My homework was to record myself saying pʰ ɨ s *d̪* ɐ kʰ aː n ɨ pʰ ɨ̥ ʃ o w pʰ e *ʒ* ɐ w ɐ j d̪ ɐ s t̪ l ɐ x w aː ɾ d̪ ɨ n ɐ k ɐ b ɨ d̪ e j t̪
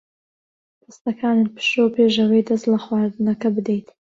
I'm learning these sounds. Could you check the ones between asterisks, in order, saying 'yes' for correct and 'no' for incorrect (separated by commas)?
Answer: no, yes